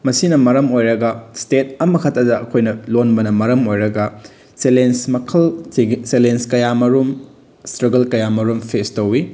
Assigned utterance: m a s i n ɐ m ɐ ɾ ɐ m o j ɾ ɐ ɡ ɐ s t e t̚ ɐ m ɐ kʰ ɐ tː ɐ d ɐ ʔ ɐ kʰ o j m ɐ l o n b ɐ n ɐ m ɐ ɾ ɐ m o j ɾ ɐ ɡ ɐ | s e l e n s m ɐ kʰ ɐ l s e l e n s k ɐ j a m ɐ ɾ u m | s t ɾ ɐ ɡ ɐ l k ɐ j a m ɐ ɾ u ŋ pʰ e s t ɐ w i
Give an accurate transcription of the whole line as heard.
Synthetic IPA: m ɐ s i n ɐ m ɐ ɾ ɐ m o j ɾ ɐ ɡ ɐ s t e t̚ ɐ m ɐ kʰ ɐ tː ɐ d ɐ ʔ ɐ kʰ o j n ɐ l o n b ɐ n ɐ m ɐ ɾ ɐ m o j ɾ ɐ ɡ ɐ | s e l e n s m ɐ kʰ ɐ l s e l e n s k ɐ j a m ɐ ɾ u m | s t ɾ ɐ ɡ ɐ l k ɐ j a m ɐ ɾ u m pʰ e s t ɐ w i